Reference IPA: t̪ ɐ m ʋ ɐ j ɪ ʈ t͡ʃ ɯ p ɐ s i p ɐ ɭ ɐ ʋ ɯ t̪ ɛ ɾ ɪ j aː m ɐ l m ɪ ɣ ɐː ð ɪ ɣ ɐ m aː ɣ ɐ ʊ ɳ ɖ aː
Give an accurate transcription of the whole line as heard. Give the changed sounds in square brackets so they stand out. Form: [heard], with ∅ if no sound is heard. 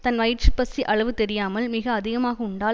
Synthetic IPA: t̪ ɐ [n] ʋ ɐ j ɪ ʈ t͡ʃ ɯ p ɐ s i [ʔ] ɐ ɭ ɐ ʋ ɯ t̪ ɛ ɾ ɪ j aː m ɐ l m ɪ ɣ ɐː ð ɪ ɣ ɐ m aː ɣ ɐ ʊ ɳ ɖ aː